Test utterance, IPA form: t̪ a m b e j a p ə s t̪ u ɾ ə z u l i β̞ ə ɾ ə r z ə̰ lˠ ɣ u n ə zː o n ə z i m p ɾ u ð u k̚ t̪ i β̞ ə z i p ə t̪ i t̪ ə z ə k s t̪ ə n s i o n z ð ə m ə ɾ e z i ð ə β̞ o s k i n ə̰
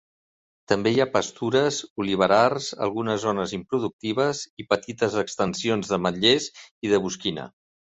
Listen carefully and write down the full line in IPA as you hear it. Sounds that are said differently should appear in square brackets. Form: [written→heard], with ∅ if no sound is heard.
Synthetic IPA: t̪ [a→ə] m b e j a p ə s t̪ u ɾ ə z u l i β̞ ə ɾ [ə→a] r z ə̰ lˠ ɣ u n ə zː o n ə z i m p ɾ u ð u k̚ t̪ i β̞ ə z i p ə t̪ i t̪ ə z ə k s t̪ ə n s i o n z ð ə m ə [ɾ→ʎ] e z i ð ə β̞ [o→u] s k i n ə̰